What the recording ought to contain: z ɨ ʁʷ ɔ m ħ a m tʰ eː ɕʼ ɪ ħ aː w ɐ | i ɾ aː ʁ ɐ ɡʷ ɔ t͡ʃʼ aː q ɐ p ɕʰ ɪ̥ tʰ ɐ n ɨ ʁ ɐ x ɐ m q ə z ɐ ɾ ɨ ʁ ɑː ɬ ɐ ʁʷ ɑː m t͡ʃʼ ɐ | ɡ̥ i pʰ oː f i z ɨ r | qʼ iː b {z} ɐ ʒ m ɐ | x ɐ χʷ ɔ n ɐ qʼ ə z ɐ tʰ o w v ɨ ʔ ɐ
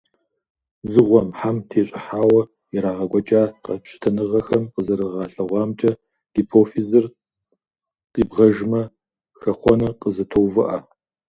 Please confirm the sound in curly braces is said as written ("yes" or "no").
no